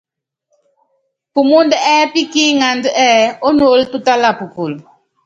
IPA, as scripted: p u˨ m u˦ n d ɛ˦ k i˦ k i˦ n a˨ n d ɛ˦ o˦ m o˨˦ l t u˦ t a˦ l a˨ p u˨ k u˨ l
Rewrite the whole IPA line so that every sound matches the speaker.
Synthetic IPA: p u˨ m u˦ n d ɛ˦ p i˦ k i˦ ŋ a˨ n d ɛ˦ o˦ n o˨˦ l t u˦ t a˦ l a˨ p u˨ k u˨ l